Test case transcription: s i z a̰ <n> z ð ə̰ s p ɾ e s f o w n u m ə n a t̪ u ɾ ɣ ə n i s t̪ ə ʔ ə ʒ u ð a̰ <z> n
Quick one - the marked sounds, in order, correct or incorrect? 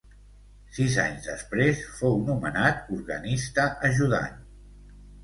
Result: incorrect, incorrect

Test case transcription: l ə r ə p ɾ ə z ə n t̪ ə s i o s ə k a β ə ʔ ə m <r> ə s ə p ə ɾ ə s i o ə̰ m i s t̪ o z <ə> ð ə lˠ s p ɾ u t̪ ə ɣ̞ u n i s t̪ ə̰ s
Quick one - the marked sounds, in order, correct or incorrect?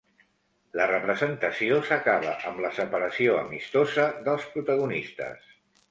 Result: incorrect, correct

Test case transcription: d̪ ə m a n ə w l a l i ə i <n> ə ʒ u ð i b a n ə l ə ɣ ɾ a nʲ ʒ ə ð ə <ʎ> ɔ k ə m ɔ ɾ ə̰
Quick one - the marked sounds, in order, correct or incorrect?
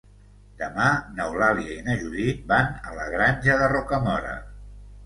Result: correct, incorrect

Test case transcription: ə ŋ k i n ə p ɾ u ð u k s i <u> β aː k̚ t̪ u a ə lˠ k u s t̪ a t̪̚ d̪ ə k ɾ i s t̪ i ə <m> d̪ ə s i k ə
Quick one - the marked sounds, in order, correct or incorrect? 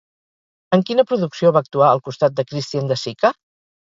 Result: incorrect, incorrect

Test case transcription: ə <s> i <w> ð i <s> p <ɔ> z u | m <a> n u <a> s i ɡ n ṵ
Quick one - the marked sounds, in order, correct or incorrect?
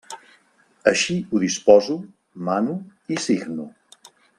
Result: incorrect, incorrect, correct, correct, correct, incorrect

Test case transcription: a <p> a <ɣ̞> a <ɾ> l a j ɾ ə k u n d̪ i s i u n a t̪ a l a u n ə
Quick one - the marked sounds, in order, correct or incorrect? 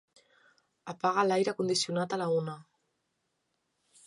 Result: correct, correct, incorrect

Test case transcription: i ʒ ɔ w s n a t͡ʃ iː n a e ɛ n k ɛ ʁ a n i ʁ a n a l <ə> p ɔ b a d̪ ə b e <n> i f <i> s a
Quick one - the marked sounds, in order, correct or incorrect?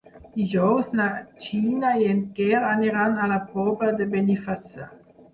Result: incorrect, correct, incorrect

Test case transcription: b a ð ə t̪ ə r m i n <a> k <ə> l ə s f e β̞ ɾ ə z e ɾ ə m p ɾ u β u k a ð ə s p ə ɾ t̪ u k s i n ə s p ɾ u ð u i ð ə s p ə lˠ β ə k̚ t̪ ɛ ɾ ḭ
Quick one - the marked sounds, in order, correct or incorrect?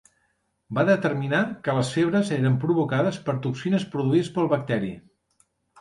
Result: correct, correct

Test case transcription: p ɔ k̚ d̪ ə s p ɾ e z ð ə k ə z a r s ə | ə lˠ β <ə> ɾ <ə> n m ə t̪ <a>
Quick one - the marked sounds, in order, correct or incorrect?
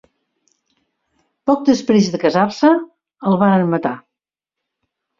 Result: incorrect, correct, correct

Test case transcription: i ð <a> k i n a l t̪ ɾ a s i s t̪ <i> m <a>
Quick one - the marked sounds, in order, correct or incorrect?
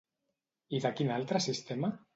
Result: correct, incorrect, correct

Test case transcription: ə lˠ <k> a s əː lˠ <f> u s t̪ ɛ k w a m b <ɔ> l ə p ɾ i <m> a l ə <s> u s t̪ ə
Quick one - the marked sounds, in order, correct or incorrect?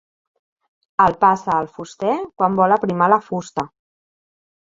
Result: incorrect, correct, correct, correct, incorrect

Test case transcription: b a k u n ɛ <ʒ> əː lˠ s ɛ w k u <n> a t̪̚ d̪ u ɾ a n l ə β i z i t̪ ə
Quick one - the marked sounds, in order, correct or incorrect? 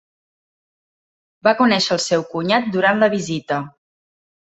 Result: incorrect, incorrect

